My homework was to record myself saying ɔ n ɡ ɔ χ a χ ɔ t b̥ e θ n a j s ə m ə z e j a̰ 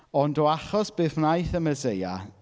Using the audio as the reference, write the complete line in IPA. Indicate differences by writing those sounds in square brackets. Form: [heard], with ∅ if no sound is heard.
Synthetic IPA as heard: ɔ n [d] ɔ [∅] a χ ɔ [s] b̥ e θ n a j [θ] ə m ə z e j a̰